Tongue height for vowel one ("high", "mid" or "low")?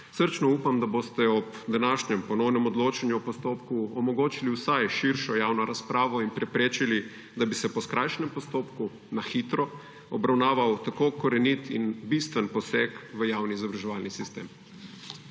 mid